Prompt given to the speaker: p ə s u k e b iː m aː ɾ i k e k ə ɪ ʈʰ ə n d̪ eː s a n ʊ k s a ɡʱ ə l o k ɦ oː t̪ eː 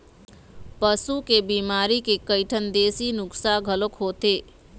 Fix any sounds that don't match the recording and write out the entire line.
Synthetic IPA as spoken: p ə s u k e b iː m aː ɾ i k e k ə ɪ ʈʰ ə n d̪ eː s i n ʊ k s a ɡʱ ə l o k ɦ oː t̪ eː